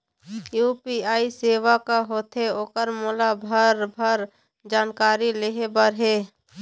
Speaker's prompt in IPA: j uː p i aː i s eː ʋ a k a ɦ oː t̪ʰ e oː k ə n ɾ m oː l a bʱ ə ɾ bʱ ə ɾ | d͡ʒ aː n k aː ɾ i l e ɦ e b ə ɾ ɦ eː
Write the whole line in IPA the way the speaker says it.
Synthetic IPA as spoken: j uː p i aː i s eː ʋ a k a ɦ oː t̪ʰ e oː k ə ɾ m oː l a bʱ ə ɾ bʱ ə ɾ | d͡ʒ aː n k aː ɾ i l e ɦ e b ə ɾ ɦ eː